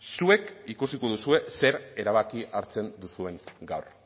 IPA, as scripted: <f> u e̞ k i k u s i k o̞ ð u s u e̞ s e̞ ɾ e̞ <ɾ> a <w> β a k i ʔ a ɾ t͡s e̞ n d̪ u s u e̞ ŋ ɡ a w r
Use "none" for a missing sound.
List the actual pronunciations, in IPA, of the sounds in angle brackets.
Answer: s, ɾ, none

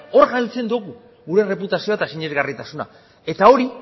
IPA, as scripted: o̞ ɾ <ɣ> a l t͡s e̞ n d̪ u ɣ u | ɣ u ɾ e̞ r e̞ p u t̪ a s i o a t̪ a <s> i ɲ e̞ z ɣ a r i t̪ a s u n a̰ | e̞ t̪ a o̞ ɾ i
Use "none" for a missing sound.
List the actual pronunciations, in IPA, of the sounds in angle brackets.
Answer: ɣ, s

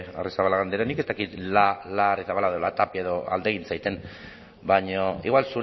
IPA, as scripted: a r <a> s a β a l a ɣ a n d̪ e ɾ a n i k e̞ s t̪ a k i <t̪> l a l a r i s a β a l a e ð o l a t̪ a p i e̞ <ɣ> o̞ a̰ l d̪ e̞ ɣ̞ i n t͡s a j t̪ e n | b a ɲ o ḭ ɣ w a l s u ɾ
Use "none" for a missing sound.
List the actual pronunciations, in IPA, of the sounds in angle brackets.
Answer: i, t̪, ð

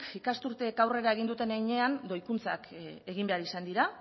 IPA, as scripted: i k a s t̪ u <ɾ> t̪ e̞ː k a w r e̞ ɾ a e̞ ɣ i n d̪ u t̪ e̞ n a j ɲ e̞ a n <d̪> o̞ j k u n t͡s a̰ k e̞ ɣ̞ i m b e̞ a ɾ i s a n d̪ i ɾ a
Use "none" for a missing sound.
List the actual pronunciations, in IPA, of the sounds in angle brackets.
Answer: ɾ, d̪

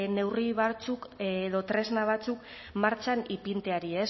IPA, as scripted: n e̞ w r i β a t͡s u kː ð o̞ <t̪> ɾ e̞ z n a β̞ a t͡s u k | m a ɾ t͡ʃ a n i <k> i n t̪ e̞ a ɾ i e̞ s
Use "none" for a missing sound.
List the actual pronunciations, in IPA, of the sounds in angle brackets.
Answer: t̪, p

